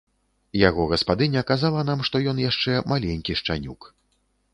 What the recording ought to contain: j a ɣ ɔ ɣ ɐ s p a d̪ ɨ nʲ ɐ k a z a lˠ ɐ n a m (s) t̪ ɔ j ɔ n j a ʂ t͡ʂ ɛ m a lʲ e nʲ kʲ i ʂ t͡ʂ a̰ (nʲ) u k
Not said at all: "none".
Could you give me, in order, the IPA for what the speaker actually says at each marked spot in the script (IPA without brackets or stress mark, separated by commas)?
ʂ, nʲ